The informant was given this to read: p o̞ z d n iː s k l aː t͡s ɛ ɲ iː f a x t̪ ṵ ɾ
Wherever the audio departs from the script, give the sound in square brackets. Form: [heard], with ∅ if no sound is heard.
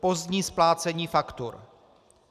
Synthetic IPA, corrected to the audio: p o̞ z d [ɲ] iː s [p] l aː t͡s ɛ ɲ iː f a [k] t̪ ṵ ɾ

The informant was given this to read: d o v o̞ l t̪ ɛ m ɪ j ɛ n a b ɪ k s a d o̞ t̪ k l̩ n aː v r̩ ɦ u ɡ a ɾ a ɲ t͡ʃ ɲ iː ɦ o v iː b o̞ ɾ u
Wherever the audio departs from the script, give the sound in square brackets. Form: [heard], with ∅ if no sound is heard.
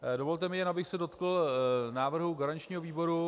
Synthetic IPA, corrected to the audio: d o v o̞ l t̪ ɛ m ɪ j ɛ n a b ɪ [x] s [ɛ] d o̞ t̪ k l̩ n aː v r̩ ɦ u ɡ a ɾ a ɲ t͡ʃ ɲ iː ɦ o v iː b o̞ ɾ u

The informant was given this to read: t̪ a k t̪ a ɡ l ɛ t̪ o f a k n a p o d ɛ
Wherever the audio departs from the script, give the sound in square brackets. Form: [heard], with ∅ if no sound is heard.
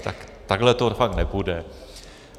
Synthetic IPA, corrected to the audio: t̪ a k t̪ a ɡ l ɛ t̪ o f a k n [ɛ] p [u] d ɛ

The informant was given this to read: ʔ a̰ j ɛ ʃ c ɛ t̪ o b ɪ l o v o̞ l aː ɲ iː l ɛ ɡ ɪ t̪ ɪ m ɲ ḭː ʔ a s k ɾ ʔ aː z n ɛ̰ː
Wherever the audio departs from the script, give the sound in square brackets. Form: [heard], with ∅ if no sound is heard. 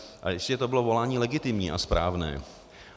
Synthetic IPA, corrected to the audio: ʔ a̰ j ɛ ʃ c ɛ t̪ o b ɪ l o v o̞ l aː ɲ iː l ɛ ɡ ɪ t̪ ɪ m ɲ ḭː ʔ a s [p] ɾ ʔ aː [v] n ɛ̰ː

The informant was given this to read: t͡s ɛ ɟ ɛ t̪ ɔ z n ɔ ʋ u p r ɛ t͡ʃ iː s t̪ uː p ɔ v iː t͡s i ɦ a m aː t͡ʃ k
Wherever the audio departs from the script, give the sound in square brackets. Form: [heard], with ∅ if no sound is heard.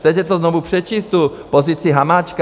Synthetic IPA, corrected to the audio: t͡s ɛ [c] ɛ t̪ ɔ z n ɔ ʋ u p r ɛ t͡ʃ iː s t̪ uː p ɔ [z] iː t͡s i ɦ a m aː t͡ʃ k

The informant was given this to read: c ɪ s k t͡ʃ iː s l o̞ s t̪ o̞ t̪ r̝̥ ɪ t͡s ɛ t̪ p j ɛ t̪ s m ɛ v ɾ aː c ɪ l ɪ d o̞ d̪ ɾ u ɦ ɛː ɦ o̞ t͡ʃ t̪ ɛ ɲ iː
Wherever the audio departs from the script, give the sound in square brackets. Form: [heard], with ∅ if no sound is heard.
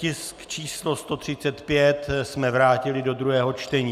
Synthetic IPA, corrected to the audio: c ɪ s k t͡ʃ iː s l o̞ s t̪ o̞ t̪ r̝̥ ɪ t͡s ɛ t̪ p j ɛ t̪ s m ɛ v ɾ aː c ɪ l ɪ d o̞ d̪ ɾ u ɦ ɛː ɦ o̞ t͡ʃ t̪ ɛ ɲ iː

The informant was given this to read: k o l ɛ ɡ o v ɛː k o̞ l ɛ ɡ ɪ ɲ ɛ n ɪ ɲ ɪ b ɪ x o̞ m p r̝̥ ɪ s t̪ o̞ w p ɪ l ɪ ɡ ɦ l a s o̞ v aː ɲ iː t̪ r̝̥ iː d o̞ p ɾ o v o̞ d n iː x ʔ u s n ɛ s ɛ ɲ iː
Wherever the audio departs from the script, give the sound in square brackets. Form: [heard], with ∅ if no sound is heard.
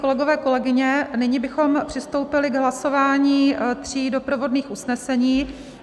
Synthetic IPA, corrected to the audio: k o l ɛ ɡ o v ɛː k o̞ l ɛ ɡ ɪ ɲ ɛ n ɪ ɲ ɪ b ɪ x o̞ m p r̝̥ ɪ s t̪ o̞ w p ɪ l ɪ ɡ ɦ l a s o̞ v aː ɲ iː t̪ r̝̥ iː d o̞ p ɾ o v o̞ d n iː x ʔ u s n ɛ s ɛ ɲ iː

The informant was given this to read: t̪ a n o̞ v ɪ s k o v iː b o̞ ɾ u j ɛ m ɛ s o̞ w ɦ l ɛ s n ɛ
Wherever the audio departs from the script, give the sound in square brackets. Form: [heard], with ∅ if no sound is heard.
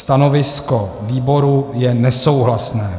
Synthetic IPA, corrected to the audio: t̪ a n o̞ v ɪ s k o v iː b o̞ ɾ u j ɛ [n] ɛ s o̞ w ɦ l [a] s n [ɛː]

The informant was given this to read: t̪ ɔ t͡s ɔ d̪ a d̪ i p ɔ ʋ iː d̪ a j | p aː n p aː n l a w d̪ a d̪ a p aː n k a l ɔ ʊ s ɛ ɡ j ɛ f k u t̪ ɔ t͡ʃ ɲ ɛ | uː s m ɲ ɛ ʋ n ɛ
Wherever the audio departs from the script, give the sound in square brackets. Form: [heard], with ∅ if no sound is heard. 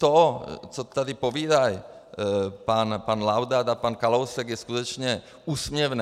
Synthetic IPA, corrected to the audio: t̪ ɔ t͡s ɔ [t̪] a d̪ i p ɔ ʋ iː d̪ a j | p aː n p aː n l a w d̪ a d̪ a p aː n k a l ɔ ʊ s ɛ ɡ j ɛ [s] k u t̪ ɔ t͡ʃ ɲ ɛ | uː s m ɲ ɛ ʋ n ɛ

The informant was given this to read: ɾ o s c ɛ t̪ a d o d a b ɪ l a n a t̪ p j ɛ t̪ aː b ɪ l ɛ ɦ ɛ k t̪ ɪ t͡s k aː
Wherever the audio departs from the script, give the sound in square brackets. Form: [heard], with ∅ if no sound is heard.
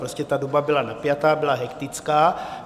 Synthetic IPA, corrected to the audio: ɾ o s c ɛ t̪ a d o [b] a b ɪ l a n a [∅] p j [a] t̪ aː b ɪ l [a] ɦ ɛ k t̪ ɪ t͡s k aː

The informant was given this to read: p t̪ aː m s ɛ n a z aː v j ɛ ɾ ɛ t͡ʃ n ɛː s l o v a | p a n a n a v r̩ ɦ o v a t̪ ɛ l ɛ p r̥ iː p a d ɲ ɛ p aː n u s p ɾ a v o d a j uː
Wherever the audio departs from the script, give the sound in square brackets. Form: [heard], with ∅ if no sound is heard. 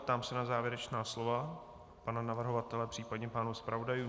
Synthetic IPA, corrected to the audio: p t̪ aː m s ɛ n a z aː v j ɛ ɾ ɛ t͡ʃ n [aː] s l o v a | p a n a n a v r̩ ɦ o v a t̪ ɛ l ɛ p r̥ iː p a d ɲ ɛ p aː n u s p ɾ a v o d a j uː

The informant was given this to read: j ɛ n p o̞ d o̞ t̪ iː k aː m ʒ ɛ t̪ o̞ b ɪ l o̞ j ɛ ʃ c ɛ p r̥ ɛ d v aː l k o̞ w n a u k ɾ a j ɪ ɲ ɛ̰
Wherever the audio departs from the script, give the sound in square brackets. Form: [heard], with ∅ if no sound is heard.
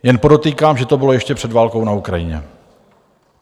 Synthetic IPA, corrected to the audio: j ɛ n p o̞ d o̞ t̪ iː k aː m ʒ ɛ t̪ o̞ b ɪ l o̞ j ɛ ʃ c ɛ p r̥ ɛ d v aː l k o̞ w n a u k ɾ a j ɪ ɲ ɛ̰

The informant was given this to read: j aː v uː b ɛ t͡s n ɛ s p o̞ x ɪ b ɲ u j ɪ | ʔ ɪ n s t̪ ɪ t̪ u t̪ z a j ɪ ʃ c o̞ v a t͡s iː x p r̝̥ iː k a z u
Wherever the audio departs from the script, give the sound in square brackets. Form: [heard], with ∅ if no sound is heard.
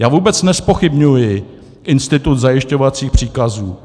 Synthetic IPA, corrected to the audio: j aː v uː b ɛ t͡s n ɛ s p o̞ x ɪ b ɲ u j ɪ | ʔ ɪ n s t̪ ɪ t̪ u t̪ z a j ɪ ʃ c o̞ v a t͡s iː x p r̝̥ iː k a z [uː]

